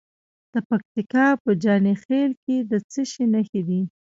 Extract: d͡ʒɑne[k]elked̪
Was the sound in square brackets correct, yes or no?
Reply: no